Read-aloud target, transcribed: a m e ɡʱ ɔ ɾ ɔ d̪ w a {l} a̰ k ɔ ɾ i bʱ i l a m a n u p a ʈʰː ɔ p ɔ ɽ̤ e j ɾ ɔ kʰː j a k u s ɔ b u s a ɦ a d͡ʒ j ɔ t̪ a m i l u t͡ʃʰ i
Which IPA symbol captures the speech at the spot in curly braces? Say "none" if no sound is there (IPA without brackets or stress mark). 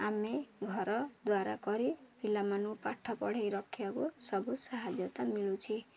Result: ɾ